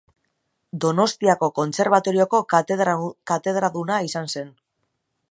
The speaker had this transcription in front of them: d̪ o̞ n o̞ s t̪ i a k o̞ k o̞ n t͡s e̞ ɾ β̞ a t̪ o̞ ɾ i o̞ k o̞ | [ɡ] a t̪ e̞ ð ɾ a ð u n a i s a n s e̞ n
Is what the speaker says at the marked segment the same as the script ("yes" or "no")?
no